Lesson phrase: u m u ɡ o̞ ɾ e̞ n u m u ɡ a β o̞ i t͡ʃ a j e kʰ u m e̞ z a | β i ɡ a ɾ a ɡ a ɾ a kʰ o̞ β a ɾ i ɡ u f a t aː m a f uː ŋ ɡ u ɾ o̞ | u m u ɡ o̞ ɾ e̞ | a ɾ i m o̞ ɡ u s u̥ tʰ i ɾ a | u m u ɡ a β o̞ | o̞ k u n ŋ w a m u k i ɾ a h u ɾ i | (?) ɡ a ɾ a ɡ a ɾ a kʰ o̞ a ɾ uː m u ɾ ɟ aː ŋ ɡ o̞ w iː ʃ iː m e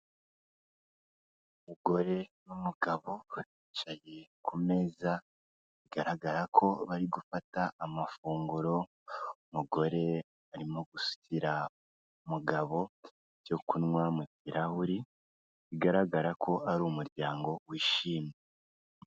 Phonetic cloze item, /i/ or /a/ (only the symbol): i